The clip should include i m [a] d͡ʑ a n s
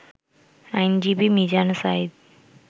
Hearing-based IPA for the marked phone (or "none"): i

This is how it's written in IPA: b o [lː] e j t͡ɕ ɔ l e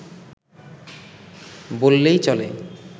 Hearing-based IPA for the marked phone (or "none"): lː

